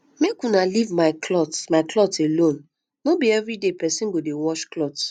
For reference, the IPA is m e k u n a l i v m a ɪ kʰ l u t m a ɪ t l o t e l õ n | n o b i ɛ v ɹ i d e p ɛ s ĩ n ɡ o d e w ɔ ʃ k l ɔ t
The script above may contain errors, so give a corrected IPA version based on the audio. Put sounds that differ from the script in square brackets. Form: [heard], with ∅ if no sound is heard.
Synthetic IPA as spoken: m e k u n a l i v m a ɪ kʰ l [ɔ] t m a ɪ [k] l [ɔ] t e l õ n | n o b i ɛ v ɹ i d e p ɛ s ĩ n ɡ o d e w ɔ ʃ k l ɔ t